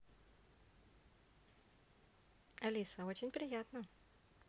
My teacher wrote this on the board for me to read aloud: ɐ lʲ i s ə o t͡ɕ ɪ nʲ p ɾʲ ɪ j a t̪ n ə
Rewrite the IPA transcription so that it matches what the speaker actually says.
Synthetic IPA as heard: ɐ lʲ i s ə o t͡ɕ ɪ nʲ p ɾʲ ɪ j a t̪ n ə